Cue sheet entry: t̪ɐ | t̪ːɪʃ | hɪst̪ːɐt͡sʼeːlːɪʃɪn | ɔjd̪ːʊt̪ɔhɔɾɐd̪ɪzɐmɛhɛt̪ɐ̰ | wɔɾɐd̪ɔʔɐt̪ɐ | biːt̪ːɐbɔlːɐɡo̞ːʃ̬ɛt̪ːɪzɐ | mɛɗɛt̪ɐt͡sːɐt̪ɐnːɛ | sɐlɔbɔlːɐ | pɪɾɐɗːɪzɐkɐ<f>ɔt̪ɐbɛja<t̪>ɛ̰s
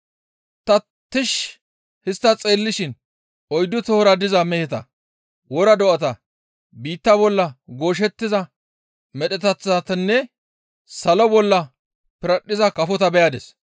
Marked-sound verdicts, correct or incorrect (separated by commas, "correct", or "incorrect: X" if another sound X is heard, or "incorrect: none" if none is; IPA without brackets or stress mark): correct, incorrect: d̪